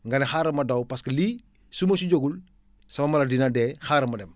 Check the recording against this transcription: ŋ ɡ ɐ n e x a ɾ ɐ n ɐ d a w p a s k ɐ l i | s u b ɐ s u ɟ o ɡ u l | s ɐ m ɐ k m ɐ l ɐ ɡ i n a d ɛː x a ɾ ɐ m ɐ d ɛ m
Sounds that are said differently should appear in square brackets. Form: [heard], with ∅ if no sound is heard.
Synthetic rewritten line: ŋ ɡ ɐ n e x a ɾ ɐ [m] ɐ d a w p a s k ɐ l i | s u [m] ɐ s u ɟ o ɡ u l | s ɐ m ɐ [∅] m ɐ l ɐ [d] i n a d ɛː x a ɾ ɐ m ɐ d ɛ m